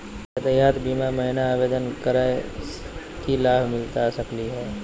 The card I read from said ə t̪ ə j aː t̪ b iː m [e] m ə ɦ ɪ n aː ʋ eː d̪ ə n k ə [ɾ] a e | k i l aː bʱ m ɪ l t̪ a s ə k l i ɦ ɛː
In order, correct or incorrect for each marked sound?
incorrect: a, correct

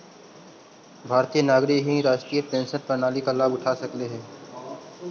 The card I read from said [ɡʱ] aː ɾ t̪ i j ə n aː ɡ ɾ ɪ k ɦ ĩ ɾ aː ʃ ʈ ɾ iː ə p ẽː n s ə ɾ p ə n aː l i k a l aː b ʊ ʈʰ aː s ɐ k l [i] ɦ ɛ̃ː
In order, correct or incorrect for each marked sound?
incorrect: bʱ, incorrect: e

